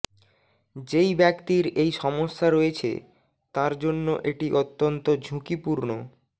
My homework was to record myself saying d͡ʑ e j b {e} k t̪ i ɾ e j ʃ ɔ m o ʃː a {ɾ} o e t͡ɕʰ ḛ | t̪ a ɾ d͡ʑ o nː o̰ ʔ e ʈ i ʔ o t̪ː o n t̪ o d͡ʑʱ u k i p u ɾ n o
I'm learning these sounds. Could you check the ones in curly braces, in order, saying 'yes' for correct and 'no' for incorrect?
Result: no, yes

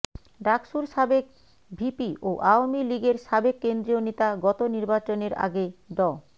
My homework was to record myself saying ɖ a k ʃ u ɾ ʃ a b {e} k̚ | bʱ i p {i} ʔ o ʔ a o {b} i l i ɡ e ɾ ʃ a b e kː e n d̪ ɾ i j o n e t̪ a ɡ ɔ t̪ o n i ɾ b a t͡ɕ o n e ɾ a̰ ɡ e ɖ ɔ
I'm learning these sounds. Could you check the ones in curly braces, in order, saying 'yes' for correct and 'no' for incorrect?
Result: yes, yes, no

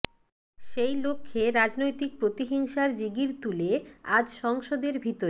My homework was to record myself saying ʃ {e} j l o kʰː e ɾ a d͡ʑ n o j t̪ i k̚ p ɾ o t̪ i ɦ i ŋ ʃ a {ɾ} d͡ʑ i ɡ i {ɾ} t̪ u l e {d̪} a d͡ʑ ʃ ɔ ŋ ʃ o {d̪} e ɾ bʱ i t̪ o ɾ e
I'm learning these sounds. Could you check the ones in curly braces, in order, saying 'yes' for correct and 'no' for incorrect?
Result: yes, yes, yes, no, yes

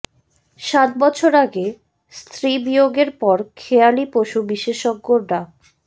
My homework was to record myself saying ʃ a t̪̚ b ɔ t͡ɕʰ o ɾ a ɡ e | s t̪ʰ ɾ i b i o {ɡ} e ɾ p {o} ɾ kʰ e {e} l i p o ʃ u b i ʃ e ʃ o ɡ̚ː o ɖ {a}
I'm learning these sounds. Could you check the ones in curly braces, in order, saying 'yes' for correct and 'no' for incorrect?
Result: yes, no, no, yes

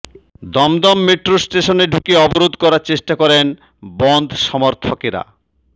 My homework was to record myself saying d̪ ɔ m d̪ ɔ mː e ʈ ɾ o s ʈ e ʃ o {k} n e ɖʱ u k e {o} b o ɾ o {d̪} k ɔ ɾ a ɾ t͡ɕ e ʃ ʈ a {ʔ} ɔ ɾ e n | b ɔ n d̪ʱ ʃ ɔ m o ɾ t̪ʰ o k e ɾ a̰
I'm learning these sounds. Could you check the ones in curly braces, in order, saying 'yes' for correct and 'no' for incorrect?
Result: no, no, yes, no

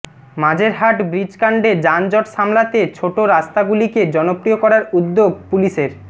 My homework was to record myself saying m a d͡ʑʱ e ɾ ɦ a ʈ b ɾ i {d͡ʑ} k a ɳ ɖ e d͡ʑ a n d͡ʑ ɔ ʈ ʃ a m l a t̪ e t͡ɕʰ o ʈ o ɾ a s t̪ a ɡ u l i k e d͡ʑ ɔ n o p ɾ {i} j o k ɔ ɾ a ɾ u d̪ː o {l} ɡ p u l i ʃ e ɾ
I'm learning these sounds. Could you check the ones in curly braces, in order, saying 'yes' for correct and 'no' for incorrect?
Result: yes, yes, no

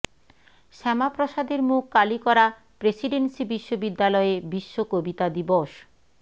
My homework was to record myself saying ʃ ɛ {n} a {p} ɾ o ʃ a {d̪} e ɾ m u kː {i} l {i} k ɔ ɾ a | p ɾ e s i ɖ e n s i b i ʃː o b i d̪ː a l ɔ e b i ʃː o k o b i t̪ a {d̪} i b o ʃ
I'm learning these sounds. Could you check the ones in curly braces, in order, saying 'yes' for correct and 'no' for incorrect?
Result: no, yes, yes, no, yes, yes

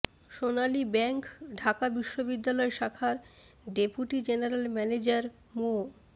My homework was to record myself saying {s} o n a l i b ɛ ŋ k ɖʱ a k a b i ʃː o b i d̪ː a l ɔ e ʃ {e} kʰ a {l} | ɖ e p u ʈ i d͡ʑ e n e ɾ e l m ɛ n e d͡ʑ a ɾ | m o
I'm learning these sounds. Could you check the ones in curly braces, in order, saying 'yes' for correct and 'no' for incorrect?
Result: no, no, no

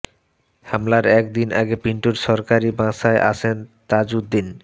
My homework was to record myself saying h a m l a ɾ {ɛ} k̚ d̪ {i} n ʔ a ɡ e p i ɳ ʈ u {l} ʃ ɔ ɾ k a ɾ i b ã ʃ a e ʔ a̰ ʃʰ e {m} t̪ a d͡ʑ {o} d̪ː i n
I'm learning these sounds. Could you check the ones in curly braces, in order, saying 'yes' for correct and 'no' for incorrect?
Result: yes, yes, no, no, no

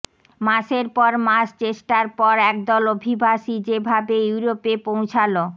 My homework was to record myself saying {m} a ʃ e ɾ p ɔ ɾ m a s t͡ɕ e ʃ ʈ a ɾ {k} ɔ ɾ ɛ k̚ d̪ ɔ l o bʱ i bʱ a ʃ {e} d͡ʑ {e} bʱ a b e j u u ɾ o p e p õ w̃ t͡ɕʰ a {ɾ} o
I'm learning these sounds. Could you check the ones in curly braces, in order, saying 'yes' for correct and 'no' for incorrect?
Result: yes, no, no, yes, no

